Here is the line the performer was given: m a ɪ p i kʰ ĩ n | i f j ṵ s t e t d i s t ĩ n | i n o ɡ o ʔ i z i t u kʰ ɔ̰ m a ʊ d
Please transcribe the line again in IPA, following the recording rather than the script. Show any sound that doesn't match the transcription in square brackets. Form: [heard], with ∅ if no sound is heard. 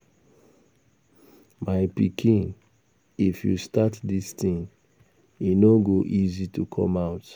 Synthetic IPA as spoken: m a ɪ p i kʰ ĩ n | i f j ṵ s t [a] t d i s t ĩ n | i n o ɡ o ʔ i z i t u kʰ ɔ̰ m a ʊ [t]

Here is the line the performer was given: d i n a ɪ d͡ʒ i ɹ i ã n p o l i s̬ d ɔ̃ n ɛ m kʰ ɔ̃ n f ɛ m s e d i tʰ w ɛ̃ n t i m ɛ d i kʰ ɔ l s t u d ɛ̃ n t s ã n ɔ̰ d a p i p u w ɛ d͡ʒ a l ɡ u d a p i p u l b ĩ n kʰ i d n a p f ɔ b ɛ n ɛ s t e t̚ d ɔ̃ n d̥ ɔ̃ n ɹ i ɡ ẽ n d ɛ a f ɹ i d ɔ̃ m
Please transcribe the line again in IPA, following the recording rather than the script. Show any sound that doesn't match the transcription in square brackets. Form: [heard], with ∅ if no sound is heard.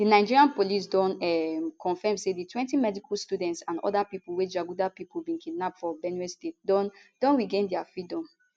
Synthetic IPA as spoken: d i n a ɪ d͡ʒ i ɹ i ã n p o l i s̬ d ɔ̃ n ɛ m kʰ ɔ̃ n f ɛ m s e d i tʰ w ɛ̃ n t i m ɛ d i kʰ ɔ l s t u d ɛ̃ n t s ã n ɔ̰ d a p i p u w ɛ d͡ʒ a [∅] ɡ u d a p i p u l b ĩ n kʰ i d n a p f ɔ b ɛ n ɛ s t e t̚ d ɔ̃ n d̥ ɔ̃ n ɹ i ɡ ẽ n d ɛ a f ɹ i d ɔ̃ m

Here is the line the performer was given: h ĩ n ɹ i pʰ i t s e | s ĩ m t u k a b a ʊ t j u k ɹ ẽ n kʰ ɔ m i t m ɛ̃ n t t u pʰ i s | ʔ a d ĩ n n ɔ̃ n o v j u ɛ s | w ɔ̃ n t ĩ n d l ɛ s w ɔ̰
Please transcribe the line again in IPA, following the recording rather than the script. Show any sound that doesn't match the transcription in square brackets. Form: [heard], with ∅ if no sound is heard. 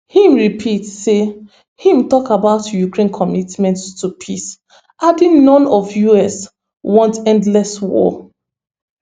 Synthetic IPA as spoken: h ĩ [m] ɹ i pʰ i t s e | [h] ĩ m t [ɔ] k a b a ʊ t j u k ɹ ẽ n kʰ ɔ m i t m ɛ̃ n t t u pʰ i s | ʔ a d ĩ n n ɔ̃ n [ɔ] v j u ɛ s | w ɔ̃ n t [ɛ̃] n d l ɛ s w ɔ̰

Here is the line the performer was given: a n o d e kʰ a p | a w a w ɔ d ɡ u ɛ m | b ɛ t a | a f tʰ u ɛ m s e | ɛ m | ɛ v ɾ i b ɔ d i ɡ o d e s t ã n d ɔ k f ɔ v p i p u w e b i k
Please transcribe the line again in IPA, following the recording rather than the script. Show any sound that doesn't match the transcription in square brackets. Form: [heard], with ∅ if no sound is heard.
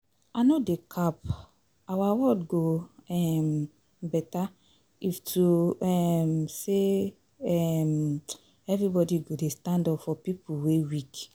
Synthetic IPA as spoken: a n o d e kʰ a p | a w a w ɔ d ɡ [o] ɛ m | b ɛ t a | [i] f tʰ u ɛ m s e | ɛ m | ɛ v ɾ i b ɔ d i ɡ o d e s t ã n d ɔ [p] f ɔ [∅] p i p u w e [w] i k

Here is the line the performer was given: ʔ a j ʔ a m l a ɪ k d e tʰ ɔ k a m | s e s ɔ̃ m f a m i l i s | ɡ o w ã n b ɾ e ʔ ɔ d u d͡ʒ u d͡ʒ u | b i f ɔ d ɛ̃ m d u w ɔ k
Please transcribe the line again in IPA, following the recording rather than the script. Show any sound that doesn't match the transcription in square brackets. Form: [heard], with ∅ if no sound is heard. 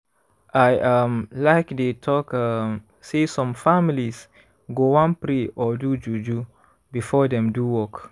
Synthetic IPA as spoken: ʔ a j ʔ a m l a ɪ k d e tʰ ɔ k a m | s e s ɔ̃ m f a m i l i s | ɡ o w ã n [p] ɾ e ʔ ɔ d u d͡ʒ u d͡ʒ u | b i f ɔ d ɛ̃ m d u w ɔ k

